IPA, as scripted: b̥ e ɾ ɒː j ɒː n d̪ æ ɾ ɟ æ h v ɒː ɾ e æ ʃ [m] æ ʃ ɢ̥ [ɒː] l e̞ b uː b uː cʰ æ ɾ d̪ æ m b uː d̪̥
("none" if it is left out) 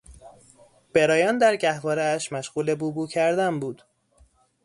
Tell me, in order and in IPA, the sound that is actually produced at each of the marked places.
m, uː

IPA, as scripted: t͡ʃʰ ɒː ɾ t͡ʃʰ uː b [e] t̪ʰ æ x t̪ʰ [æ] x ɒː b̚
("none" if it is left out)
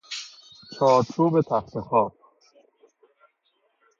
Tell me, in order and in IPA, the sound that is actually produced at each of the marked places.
e, e

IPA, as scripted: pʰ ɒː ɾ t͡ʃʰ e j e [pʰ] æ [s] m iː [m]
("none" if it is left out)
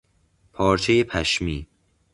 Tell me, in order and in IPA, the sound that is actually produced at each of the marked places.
pʰ, ʃ, none

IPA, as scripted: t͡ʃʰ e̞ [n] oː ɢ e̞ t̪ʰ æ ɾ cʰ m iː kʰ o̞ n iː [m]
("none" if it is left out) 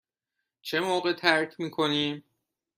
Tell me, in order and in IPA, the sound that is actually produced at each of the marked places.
m, m

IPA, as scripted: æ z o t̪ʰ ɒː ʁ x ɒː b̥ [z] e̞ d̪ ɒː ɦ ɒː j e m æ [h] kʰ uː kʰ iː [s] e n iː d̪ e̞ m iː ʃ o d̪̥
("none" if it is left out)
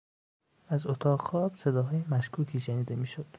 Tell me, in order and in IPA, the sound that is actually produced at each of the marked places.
s, ʃ, ʃ

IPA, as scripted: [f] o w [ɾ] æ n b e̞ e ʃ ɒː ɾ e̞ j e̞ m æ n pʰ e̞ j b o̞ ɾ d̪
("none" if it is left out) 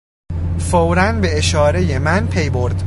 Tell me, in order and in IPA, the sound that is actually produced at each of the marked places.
f, ɾ

